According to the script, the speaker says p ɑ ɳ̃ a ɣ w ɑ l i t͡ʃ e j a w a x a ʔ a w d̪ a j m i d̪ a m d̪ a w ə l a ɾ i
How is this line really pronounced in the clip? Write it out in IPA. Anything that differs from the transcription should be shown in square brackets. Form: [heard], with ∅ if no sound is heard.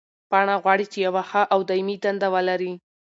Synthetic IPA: p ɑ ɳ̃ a ɣ w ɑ [ɽ] i t͡ʃ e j a w a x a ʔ a w d̪ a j m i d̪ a [n] d̪ a w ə l a ɾ i